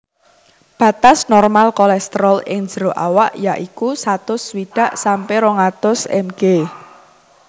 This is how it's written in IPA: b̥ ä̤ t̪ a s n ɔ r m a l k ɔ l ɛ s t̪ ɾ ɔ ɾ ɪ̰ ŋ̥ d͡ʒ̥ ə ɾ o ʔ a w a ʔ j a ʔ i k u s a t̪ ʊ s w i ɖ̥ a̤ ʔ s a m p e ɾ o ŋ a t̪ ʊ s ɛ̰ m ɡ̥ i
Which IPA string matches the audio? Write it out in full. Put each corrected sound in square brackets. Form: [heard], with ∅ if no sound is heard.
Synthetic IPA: b̥ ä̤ t̪ a s n ɔ r m a l k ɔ l ɛ s t̪ ɾ ɔ [l] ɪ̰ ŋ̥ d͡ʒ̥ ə ɾ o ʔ a w a ʔ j a ʔ i k u s a t̪ ʊ s w i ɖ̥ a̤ ʔ s a m p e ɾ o ŋ a t̪ ʊ s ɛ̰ m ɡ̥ [e]